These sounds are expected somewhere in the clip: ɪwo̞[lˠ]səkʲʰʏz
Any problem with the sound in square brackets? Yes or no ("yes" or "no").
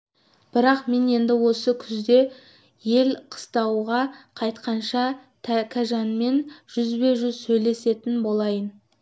yes